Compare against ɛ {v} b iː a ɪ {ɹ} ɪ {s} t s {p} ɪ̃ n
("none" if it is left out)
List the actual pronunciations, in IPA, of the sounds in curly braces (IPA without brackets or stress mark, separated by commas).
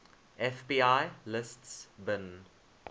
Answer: f, l, s, b